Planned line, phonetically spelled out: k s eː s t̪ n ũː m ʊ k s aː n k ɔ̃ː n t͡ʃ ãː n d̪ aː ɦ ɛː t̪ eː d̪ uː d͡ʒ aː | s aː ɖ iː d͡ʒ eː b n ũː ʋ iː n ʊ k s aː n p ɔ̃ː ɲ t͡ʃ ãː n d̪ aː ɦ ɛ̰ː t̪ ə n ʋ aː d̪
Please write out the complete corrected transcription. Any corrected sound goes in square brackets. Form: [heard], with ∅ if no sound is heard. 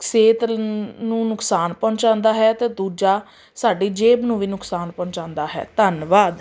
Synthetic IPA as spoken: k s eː [∅] t̪ n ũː [n] ʊ k s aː n [p] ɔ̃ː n t͡ʃ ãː n d̪ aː ɦ ɛː t̪ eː d̪ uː d͡ʒ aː | s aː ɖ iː d͡ʒ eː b n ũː ʋ iː n ʊ k s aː n p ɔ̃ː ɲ t͡ʃ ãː n d̪ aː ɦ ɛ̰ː t̪ ə n ʋ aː d̪